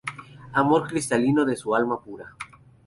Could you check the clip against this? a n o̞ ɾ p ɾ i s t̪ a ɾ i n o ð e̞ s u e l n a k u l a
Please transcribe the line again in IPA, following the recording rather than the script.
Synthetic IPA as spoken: a m o̞ ɾ k ɾ i s t̪ a l i n o ð e̞ s u a l m a p u ɾ a